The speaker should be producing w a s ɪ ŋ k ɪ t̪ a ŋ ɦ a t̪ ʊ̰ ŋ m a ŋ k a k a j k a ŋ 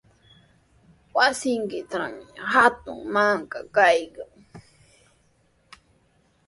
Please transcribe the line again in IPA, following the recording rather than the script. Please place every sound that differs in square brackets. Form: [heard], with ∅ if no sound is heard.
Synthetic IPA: w a s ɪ ŋ k ɪ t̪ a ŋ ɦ a t̪ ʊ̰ ŋ m a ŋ k a k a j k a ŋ